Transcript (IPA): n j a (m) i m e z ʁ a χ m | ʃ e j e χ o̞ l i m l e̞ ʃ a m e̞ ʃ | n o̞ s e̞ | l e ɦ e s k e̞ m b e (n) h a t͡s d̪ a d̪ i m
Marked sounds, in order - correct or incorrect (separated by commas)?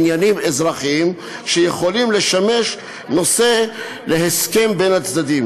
incorrect, correct